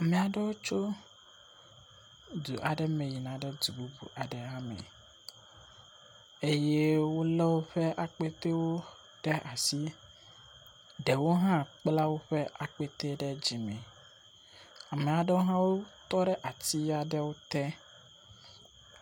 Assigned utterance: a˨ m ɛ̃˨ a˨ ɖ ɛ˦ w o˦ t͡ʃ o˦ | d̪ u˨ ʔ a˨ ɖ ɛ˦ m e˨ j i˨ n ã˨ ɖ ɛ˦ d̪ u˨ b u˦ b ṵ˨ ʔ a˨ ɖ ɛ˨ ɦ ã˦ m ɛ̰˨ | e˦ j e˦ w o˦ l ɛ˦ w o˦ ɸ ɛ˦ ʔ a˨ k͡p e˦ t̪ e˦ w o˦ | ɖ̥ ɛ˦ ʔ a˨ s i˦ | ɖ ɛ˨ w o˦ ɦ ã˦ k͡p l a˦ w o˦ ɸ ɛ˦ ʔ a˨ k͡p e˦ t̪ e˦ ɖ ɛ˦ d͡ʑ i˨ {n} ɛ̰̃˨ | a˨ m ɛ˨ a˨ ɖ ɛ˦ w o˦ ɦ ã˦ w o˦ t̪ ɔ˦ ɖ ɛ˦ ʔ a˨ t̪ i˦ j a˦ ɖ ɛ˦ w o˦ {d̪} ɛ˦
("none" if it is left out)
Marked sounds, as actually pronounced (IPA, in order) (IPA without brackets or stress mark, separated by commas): m, t̪